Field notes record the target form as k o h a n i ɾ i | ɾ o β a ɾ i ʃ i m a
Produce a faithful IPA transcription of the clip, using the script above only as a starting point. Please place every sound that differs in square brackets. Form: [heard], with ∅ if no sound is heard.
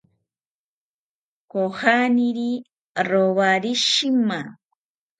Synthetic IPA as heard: k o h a n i ɾ i | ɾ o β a ɾ i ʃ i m a